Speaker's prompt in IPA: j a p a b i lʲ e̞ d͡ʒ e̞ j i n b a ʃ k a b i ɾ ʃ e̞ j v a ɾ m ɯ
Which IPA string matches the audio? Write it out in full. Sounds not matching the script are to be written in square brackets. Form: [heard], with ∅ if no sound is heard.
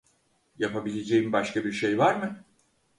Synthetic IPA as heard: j a p a b i lʲ e̞ d͡ʒ e̞ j i [m] b a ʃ k a b i ɾ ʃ e̞ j v a ɾ m ɯ